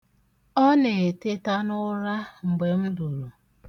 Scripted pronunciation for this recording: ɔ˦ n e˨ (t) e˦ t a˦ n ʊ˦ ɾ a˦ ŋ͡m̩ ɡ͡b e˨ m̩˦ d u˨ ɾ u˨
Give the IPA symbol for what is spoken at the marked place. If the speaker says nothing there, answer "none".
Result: t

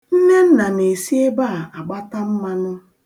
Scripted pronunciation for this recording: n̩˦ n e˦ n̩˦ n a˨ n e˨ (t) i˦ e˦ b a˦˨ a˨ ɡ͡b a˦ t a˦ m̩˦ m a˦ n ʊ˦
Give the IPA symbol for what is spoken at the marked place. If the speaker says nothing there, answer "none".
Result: s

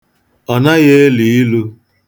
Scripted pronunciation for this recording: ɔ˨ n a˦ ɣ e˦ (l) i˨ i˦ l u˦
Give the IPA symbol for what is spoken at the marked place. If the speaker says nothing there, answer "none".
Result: l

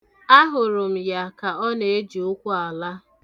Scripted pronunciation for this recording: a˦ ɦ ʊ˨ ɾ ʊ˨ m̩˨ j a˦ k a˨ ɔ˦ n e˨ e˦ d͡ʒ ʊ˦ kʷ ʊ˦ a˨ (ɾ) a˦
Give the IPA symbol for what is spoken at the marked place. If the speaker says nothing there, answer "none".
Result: l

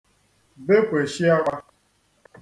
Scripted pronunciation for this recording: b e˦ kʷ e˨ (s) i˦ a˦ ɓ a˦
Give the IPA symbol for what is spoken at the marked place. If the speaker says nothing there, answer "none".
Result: ʃ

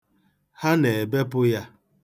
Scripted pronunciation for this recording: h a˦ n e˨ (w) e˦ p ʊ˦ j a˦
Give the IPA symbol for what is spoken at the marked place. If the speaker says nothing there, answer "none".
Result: b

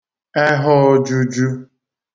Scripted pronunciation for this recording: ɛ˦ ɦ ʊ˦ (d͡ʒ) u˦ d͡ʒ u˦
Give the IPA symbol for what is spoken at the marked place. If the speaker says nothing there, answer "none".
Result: d͡ʒ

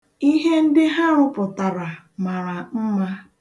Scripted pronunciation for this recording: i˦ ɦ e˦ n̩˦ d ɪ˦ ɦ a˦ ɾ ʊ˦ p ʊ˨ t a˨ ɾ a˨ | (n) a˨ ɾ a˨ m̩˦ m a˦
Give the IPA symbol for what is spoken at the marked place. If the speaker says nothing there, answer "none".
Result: m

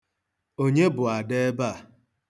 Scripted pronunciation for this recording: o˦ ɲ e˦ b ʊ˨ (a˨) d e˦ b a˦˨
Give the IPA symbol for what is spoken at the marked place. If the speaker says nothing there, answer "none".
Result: a˨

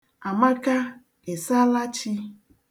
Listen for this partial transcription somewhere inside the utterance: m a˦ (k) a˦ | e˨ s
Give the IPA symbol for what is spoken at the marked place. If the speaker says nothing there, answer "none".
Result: k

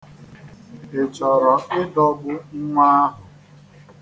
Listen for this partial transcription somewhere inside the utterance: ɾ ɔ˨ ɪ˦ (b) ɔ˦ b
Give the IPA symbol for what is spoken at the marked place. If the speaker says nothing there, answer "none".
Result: d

